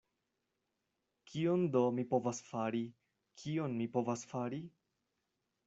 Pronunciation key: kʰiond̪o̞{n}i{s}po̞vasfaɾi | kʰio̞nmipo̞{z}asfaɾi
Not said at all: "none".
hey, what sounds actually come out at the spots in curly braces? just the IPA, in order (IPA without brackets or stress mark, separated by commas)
m, none, v